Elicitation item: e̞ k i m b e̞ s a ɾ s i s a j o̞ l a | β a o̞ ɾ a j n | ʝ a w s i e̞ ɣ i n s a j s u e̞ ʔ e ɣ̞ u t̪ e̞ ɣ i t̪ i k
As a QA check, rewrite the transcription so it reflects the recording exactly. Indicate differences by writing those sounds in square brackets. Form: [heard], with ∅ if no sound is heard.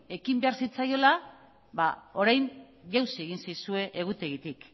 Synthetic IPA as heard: e̞ k i m b e̞ [∅] a ɾ s i [t͡s] a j o̞ l a | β a o̞ ɾ a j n | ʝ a w s i e̞ ɣ i n s a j s u e̞ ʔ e ɣ̞ u t̪ e̞ ɣ i t̪ i k